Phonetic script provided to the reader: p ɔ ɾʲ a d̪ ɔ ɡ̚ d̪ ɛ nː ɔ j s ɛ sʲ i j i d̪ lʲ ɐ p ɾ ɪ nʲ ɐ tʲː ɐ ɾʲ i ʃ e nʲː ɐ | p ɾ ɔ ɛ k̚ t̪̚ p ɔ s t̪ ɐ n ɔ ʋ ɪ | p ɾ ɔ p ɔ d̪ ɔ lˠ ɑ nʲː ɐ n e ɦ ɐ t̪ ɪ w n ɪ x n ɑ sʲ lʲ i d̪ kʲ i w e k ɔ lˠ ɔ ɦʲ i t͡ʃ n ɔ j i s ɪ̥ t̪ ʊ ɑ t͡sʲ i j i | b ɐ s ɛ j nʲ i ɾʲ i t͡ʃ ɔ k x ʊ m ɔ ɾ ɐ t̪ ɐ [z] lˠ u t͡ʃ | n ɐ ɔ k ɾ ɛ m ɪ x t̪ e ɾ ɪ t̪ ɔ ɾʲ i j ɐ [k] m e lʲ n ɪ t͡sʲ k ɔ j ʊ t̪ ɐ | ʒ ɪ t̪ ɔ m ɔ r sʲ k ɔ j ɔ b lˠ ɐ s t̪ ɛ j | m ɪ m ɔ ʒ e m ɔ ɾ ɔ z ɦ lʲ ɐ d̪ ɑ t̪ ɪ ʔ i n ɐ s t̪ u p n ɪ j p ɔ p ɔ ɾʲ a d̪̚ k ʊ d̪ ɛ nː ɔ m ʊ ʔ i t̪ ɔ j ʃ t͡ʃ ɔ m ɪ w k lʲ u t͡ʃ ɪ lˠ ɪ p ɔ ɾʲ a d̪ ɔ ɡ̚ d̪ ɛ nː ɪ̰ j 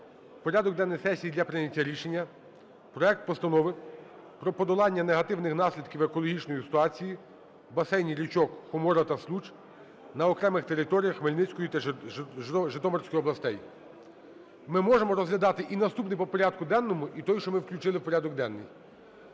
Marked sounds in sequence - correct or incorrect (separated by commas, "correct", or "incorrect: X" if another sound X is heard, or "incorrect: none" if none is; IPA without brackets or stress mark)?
incorrect: s, incorrect: x